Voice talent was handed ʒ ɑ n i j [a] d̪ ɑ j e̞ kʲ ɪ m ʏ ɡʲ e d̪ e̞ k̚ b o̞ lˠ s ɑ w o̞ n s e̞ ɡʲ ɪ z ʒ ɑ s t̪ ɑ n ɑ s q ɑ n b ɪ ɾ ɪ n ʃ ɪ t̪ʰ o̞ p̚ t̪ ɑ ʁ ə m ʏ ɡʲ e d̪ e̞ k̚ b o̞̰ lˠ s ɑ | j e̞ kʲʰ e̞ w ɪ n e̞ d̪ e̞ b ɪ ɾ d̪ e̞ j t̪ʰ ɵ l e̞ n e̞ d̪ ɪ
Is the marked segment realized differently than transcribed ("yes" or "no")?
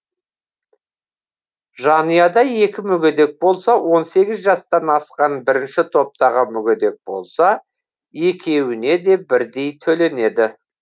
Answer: yes